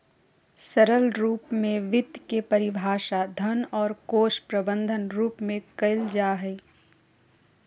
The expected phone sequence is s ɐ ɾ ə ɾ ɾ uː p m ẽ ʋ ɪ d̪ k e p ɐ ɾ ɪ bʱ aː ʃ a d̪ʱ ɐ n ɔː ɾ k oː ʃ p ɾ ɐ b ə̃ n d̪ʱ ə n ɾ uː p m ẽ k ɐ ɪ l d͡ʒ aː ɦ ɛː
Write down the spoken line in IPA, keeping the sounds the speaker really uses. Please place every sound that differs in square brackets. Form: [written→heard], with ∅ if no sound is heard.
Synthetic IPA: s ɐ ɾ ə [ɾ→l] ɾ uː p m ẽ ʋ ɪ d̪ k e p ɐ ɾ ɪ bʱ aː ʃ a d̪ʱ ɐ n ɔː ɾ k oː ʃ p ɾ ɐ b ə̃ n d̪ʱ ə n ɾ uː p m ẽ k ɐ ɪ l d͡ʒ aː ɦ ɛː